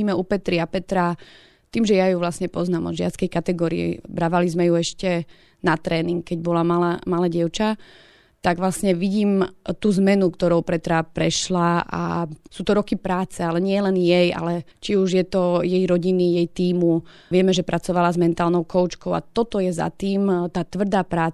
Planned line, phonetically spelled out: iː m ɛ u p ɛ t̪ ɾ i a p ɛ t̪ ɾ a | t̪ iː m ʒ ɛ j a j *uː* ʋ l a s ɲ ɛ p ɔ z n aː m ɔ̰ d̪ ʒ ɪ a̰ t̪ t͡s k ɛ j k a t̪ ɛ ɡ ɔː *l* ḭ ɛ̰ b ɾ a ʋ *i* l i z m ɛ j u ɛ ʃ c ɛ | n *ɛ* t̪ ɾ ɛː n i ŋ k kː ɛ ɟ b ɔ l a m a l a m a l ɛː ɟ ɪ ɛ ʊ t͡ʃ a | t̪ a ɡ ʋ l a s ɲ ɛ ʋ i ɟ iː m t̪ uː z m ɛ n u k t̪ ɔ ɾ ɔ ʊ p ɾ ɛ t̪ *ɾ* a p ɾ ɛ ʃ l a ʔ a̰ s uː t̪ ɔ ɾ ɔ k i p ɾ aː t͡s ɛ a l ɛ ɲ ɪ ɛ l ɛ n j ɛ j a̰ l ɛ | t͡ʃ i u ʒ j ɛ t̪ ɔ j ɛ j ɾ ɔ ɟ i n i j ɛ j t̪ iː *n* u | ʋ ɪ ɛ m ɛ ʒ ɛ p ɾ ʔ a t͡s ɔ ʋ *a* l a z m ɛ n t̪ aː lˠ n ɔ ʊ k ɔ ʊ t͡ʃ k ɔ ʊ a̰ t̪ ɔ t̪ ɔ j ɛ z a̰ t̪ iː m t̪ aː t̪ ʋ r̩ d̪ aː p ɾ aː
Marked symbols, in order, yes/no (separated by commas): no, no, no, no, yes, no, yes